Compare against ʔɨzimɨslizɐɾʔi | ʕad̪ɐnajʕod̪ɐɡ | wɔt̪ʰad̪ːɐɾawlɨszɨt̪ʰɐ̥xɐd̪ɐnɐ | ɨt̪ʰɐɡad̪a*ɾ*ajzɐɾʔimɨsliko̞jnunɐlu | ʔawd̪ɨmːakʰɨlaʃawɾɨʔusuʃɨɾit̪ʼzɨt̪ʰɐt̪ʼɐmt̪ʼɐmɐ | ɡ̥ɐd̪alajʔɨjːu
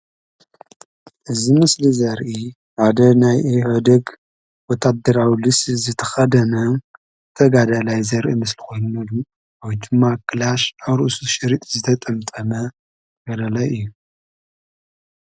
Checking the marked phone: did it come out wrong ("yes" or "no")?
yes